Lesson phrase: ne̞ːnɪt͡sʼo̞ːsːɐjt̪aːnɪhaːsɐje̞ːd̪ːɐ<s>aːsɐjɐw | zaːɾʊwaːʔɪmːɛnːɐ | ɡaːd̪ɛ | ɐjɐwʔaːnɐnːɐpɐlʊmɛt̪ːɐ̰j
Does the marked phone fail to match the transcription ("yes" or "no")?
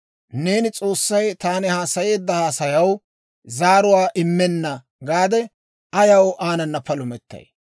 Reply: yes